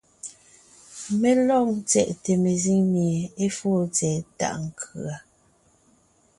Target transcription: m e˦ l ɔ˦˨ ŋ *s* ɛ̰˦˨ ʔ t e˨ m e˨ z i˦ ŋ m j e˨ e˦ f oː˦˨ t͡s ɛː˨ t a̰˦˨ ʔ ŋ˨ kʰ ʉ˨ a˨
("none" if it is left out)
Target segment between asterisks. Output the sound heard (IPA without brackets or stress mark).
t͡s